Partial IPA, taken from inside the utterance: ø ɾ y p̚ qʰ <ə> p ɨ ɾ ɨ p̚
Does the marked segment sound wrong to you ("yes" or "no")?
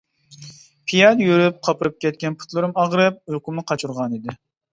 yes